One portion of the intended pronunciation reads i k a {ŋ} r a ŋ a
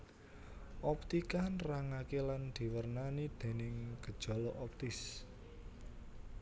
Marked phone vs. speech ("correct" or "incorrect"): incorrect